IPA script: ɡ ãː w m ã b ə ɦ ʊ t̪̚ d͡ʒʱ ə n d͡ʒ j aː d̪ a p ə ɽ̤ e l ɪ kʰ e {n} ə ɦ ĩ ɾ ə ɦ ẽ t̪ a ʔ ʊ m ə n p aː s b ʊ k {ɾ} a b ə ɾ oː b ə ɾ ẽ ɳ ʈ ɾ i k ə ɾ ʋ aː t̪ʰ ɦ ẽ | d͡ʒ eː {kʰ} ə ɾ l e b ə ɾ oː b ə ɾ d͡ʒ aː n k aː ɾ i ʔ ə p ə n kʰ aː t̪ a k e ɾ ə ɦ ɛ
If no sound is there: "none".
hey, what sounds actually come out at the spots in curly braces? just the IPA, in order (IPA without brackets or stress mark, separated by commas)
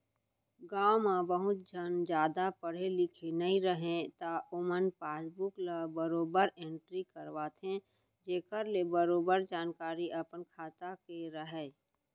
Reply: n, l, k